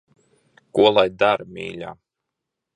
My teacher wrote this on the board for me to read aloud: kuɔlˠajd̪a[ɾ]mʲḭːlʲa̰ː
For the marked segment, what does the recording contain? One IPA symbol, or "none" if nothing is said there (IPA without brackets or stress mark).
ɾ